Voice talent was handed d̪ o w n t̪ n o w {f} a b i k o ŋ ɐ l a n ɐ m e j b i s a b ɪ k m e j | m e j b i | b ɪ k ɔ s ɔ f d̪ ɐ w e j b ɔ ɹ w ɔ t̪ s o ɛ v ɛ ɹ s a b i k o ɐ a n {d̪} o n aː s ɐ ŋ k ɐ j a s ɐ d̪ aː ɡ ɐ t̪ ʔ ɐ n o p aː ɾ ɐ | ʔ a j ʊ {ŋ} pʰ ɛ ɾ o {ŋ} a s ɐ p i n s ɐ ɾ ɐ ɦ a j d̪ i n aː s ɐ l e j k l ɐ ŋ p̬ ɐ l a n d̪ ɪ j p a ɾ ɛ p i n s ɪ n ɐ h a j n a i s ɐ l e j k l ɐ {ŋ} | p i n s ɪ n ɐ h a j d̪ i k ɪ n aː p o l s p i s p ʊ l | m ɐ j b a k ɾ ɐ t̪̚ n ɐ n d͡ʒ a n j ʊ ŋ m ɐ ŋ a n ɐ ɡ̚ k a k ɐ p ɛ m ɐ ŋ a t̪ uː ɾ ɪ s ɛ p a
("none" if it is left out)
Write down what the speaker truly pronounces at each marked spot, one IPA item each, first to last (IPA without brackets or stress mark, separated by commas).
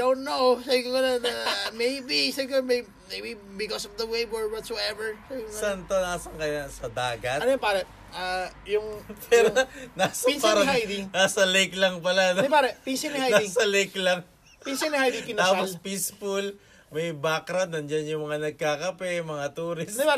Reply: s, t̪, ŋ, n, ŋ